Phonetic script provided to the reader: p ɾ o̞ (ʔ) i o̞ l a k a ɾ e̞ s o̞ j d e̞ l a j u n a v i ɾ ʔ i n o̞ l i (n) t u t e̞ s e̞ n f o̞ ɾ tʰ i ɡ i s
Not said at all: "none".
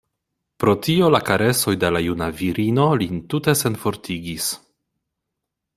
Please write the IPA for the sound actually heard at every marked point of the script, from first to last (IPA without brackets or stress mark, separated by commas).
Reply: t, n